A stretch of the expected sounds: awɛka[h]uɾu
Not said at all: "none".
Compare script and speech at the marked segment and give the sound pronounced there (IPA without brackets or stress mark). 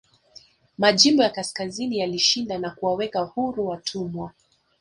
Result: h